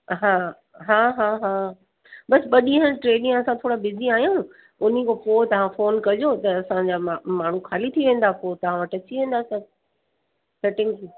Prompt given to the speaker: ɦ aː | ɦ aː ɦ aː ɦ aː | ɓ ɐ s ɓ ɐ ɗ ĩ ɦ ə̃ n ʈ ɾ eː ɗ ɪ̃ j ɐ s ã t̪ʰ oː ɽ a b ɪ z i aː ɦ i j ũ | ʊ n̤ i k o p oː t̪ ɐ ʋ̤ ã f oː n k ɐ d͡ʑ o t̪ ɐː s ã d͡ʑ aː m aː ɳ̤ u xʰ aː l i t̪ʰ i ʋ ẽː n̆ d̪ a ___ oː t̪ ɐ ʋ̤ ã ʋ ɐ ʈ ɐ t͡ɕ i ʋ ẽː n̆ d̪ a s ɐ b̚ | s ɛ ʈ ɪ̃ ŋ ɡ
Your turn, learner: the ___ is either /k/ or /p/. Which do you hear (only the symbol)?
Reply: p